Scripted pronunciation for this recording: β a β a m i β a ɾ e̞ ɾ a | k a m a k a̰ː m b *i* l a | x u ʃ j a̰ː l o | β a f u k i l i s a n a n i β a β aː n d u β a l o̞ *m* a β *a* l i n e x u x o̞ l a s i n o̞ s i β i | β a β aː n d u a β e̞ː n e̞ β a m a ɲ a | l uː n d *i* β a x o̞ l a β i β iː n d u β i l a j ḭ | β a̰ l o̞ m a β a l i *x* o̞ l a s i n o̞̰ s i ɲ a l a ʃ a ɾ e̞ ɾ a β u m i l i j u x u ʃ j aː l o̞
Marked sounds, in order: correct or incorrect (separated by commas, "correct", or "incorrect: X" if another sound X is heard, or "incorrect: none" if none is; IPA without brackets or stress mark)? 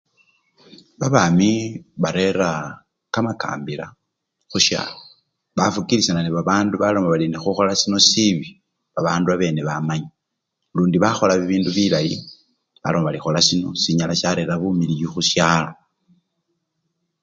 correct, correct, correct, correct, correct